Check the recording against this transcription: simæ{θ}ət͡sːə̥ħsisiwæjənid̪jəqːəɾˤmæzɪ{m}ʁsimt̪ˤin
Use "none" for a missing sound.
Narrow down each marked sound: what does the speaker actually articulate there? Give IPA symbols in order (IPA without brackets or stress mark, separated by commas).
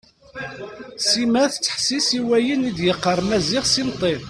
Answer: θ, none